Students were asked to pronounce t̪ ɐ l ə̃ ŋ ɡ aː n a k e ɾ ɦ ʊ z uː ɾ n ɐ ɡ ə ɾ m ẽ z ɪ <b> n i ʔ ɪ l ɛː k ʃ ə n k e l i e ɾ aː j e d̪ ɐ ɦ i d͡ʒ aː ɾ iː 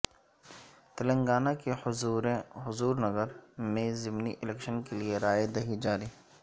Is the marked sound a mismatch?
yes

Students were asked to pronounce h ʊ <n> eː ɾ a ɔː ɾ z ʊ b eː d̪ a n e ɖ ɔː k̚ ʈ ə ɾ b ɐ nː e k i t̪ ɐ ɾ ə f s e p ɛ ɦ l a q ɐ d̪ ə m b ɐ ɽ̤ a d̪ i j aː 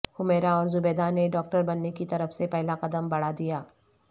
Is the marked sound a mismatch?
yes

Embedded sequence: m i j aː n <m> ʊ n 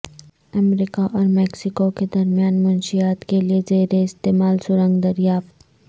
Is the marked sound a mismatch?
no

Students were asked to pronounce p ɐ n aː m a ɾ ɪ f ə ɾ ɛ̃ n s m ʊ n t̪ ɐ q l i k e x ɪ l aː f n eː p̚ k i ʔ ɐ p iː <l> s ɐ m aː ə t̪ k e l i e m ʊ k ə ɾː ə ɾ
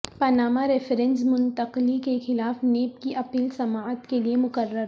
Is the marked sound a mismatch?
no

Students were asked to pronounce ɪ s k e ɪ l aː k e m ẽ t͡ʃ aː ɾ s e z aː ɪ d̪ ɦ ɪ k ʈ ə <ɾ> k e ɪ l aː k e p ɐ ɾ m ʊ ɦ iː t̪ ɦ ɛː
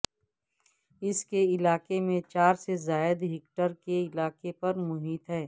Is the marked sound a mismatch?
no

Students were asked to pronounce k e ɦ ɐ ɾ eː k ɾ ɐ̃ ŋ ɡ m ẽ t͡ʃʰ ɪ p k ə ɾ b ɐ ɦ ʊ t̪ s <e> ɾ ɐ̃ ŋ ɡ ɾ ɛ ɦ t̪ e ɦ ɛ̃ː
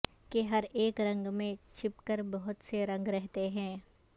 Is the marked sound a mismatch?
no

